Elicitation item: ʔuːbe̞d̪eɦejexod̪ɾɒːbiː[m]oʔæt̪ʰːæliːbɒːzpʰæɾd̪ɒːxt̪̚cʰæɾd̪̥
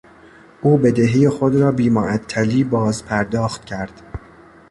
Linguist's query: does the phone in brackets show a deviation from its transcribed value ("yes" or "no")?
no